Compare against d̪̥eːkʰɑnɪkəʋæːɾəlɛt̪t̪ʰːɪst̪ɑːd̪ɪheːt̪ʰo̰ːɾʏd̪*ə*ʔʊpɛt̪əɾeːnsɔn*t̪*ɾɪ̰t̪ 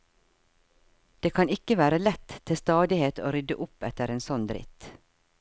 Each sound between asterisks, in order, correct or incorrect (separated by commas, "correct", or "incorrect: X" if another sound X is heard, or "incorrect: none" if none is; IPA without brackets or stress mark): correct, incorrect: d̪